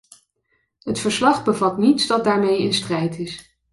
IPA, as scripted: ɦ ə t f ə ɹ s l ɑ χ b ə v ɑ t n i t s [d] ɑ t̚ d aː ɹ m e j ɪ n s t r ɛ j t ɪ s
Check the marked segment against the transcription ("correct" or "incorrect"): correct